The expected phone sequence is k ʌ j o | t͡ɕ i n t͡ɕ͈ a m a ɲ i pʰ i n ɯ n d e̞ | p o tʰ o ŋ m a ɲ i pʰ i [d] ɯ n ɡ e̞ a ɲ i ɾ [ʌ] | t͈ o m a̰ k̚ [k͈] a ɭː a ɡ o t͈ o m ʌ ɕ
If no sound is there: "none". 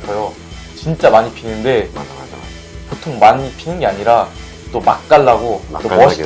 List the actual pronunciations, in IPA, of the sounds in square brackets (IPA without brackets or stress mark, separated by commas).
n, a, k͈